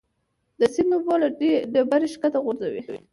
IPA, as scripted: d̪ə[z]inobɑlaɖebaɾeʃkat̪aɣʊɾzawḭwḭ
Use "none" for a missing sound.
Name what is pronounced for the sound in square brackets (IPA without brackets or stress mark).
s